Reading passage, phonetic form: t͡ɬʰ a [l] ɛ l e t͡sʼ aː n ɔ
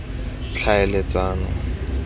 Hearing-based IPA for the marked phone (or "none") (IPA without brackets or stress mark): none